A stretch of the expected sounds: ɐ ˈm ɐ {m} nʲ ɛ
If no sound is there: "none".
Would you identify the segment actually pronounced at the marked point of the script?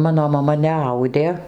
none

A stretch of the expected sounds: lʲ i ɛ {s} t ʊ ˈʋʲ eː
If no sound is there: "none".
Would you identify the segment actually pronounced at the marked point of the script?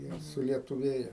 none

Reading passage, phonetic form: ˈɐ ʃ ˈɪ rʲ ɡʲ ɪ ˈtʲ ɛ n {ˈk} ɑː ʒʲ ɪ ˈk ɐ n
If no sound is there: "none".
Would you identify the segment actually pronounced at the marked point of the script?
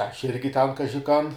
k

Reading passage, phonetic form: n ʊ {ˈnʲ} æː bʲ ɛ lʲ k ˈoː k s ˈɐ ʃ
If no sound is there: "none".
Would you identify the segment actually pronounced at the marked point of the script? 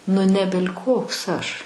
nʲ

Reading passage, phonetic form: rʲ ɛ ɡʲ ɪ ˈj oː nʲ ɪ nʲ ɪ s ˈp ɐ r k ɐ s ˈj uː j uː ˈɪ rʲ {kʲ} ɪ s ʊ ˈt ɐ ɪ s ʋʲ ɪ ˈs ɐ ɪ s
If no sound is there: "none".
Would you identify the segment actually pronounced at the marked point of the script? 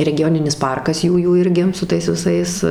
ɡʲ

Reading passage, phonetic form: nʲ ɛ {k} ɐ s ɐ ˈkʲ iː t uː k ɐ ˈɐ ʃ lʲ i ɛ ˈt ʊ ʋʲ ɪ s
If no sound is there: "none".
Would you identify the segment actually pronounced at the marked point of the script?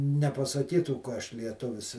p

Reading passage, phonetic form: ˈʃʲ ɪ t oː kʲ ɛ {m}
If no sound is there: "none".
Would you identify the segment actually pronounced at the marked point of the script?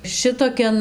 n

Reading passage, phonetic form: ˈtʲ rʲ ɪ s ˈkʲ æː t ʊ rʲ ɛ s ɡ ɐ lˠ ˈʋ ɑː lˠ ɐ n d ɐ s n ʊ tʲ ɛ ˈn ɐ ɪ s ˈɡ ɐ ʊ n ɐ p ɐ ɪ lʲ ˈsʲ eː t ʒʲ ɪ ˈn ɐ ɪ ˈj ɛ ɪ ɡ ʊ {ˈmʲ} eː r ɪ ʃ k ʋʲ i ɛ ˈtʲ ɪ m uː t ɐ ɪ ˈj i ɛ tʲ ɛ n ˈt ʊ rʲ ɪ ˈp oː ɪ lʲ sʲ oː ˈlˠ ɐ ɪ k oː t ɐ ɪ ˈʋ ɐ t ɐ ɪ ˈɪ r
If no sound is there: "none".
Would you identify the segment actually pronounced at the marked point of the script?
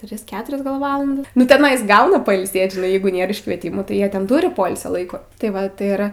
nʲ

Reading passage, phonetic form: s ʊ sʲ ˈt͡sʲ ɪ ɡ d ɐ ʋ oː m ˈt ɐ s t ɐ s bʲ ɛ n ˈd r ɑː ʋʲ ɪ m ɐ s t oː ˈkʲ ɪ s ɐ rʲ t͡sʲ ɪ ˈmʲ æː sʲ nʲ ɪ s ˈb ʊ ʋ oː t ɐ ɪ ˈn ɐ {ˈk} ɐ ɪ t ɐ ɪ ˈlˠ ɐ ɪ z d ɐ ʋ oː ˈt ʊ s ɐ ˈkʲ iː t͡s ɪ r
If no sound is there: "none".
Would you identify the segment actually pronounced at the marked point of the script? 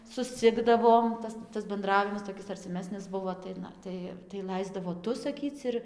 t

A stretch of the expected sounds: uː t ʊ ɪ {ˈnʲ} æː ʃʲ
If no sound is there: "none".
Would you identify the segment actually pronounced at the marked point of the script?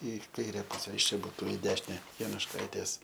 dʲ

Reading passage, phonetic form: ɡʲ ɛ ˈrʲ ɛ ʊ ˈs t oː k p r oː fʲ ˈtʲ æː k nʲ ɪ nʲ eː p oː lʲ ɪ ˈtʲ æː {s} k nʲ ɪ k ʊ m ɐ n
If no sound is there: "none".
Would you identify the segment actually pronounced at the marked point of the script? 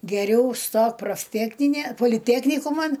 none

